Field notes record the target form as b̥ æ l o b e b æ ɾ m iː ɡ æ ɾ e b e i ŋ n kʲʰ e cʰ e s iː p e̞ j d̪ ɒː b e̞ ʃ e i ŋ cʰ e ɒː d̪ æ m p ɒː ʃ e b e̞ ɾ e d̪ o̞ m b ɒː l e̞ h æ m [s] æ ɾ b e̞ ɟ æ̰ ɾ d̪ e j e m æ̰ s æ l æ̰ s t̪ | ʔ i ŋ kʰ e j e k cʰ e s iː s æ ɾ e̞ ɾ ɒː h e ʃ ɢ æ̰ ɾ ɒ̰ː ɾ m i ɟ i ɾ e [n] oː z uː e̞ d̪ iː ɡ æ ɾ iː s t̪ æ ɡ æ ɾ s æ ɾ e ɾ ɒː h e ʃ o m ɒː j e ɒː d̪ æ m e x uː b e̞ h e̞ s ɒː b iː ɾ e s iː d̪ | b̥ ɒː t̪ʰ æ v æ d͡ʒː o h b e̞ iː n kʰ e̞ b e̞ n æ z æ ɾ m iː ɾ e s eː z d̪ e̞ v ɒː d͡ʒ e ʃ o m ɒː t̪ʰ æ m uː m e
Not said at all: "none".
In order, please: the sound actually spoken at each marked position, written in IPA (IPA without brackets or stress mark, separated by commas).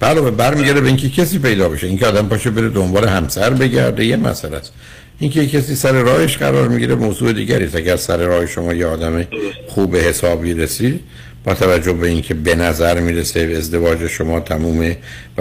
s, m